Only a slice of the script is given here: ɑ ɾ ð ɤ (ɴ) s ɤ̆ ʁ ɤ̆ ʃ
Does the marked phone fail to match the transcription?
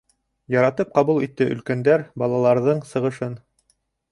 no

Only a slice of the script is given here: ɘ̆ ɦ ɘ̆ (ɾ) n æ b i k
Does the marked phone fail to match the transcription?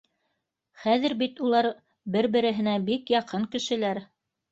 yes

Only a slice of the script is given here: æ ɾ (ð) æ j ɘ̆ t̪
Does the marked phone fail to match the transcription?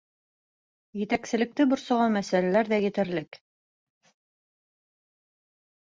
no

